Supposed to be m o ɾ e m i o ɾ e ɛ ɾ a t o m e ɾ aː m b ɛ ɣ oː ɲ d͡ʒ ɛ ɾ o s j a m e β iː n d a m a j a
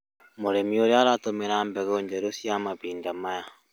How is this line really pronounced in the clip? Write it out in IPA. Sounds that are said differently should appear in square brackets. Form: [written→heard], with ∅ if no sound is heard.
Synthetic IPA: m o ɾ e m i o ɾ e [ɛ→a] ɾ a t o m e ɾ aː m b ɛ ɣ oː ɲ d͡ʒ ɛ ɾ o s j a m [e→a] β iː n d a m a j a